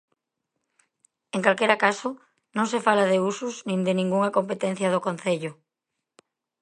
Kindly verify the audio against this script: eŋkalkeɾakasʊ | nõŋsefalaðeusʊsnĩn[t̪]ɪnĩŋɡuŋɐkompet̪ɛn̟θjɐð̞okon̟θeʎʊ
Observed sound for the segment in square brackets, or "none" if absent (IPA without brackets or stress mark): d̪